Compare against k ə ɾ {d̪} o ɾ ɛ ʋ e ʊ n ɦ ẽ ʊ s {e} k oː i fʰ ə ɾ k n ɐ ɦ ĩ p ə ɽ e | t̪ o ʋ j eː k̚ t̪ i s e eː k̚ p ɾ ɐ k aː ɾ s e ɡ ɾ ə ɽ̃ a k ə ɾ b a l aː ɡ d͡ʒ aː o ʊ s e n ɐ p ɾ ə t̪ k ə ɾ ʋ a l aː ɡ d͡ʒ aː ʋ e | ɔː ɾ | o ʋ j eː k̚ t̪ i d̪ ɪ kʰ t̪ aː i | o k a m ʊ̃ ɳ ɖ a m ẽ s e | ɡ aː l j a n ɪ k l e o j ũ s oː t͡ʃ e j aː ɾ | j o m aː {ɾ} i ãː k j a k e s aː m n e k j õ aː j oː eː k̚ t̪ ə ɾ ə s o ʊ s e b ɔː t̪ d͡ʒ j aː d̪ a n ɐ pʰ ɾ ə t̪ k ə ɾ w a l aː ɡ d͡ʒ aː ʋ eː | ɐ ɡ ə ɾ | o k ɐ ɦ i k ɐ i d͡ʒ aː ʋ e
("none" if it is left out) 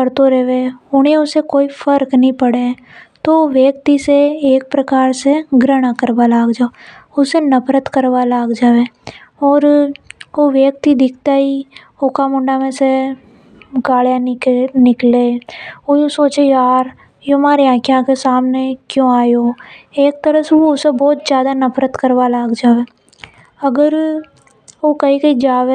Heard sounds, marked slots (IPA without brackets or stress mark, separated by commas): t̪, e, ɾ